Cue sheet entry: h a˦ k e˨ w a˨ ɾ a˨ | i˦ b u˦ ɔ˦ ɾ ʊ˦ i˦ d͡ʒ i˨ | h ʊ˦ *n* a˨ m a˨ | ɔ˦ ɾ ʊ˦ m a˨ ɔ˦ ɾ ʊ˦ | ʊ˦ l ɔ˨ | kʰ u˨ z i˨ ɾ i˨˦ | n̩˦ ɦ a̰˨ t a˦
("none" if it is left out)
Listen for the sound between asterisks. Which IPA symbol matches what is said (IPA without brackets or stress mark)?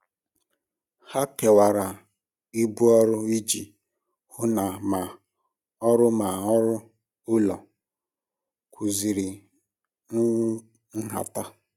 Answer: n